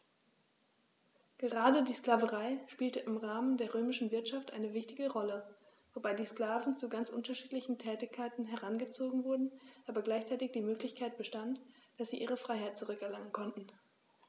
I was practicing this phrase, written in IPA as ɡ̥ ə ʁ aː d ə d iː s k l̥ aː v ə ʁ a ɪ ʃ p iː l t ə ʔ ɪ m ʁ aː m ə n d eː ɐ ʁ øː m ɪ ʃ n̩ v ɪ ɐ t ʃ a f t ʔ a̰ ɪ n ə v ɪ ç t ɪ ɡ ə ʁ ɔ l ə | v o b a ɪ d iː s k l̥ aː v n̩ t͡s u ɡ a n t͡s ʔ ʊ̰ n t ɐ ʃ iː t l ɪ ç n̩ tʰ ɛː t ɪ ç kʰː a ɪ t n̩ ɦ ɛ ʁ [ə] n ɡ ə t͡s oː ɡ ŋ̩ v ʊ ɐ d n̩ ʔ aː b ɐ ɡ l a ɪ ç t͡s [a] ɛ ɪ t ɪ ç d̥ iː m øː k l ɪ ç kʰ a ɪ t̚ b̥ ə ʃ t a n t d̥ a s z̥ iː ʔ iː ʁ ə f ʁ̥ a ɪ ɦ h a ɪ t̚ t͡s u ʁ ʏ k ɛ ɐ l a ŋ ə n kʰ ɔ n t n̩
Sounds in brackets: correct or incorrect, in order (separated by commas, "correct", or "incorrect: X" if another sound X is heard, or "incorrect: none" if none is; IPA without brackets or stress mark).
incorrect: a, correct